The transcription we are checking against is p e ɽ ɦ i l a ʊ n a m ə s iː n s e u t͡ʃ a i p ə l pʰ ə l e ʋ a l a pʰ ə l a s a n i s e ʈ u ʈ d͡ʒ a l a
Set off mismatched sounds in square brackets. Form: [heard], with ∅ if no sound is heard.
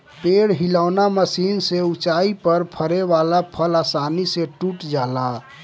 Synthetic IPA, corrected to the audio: p e ɽ ɦ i l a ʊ n a m ə s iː n s e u t͡ʃ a i p ə [ɾ] pʰ ə [ɾ] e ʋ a l a pʰ ə l a s a n i s e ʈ u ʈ d͡ʒ a l a